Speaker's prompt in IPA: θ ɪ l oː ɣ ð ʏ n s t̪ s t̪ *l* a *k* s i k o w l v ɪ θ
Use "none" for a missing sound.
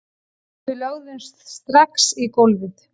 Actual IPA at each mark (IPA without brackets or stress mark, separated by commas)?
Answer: ɾ, k